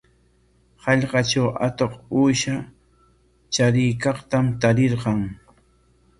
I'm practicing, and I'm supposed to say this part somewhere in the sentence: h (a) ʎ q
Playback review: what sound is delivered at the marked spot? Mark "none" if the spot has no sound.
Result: ɑ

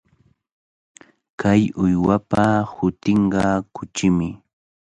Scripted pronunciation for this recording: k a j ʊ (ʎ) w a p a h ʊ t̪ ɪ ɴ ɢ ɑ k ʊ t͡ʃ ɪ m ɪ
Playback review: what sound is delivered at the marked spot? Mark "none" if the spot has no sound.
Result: j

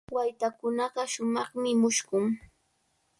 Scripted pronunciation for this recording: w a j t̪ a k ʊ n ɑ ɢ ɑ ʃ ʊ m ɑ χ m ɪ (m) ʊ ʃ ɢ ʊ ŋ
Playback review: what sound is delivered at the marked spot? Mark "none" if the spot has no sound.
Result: m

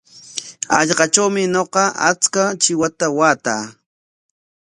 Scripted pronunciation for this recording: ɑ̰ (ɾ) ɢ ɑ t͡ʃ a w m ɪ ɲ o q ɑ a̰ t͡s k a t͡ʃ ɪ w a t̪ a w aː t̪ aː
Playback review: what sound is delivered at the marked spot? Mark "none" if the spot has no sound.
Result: ʎ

